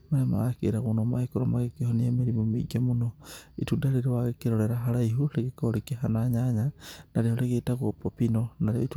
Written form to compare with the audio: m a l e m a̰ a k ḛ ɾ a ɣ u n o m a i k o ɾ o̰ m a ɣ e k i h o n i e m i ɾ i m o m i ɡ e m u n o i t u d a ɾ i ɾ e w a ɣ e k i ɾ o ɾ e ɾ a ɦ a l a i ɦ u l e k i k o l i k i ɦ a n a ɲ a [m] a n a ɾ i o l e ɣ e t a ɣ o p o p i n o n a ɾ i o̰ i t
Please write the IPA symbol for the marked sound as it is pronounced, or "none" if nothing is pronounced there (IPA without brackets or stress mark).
ɲ